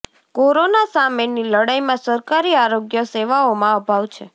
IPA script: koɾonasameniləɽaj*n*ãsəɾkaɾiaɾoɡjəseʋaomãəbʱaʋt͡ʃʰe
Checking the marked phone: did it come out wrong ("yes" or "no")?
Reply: yes